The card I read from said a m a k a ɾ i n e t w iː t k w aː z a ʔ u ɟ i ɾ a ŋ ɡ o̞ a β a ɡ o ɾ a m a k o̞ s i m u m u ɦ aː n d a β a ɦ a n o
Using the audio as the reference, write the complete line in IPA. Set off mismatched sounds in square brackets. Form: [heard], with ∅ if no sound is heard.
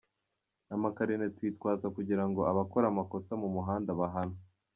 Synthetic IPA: a m a k a ɾ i n e t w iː t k w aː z a [k] u ɟ i ɾ a ŋ ɡ o̞ a β a [k] o ɾ a m a k o̞ s [a] m u m u ɦ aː n d a β a ɦ a n o